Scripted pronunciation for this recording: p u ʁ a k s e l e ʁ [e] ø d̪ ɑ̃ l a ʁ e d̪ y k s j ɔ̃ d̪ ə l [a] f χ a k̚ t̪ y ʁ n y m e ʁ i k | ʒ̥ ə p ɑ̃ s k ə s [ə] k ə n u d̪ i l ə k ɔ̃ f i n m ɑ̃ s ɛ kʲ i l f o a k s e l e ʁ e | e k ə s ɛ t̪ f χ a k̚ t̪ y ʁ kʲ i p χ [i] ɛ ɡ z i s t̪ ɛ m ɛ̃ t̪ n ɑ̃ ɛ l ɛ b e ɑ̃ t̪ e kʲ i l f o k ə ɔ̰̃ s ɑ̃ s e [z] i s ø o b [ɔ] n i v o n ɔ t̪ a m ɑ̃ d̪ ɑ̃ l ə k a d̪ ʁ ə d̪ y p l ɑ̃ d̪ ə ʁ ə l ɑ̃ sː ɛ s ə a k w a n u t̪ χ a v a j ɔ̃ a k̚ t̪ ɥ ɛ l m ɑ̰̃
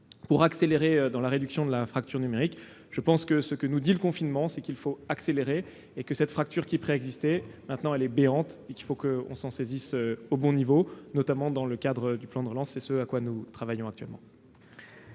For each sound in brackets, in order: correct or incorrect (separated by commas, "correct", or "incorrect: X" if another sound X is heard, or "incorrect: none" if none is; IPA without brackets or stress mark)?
correct, correct, correct, incorrect: e, correct, incorrect: ɔ̃